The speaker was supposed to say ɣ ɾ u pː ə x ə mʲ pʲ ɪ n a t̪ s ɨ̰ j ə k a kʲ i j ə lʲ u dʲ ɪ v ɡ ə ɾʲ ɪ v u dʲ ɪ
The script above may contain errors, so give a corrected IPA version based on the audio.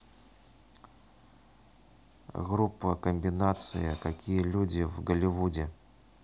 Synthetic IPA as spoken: ɣ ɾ u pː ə k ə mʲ bʲ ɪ n a t̪ s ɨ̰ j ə k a kʲ i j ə lʲ u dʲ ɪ v ɡ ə lʲ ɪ v u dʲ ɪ